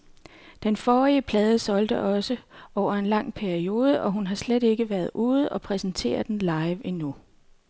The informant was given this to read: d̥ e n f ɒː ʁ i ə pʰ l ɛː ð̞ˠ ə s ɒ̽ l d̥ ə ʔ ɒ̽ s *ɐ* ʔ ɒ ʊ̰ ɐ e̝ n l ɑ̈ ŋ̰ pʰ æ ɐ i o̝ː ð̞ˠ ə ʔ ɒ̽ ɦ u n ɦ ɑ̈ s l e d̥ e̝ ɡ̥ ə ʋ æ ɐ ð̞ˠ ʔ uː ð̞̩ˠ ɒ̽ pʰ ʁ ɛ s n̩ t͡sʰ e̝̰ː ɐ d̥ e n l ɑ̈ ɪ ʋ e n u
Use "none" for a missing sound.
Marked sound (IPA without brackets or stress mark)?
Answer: ə